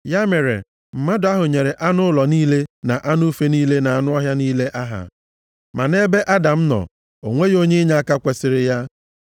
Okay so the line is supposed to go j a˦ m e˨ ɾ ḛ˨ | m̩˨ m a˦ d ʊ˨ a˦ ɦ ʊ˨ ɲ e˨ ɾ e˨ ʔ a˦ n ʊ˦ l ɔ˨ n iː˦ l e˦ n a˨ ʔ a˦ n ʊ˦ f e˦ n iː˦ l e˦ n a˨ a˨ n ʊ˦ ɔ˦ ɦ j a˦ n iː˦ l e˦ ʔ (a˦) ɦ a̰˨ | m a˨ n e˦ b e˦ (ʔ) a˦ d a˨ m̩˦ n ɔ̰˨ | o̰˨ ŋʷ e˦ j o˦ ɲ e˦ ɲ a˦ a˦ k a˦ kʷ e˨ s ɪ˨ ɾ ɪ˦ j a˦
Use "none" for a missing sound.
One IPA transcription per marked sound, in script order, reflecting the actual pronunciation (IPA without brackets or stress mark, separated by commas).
a˦, ʔ